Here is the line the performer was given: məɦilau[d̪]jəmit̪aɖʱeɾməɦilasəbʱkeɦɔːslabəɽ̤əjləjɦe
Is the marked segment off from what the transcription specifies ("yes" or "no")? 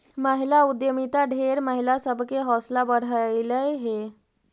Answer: no